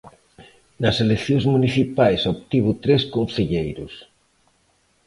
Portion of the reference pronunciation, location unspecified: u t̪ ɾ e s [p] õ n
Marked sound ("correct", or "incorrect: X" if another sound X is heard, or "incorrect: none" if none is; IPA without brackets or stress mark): incorrect: k